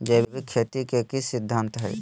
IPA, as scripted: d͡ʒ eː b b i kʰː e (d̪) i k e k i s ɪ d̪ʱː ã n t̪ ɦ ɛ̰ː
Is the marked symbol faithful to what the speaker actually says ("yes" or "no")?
no